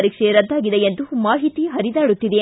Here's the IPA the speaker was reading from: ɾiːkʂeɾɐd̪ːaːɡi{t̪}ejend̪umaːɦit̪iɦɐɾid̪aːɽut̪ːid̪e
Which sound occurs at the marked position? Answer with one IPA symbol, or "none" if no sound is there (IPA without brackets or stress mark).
d̪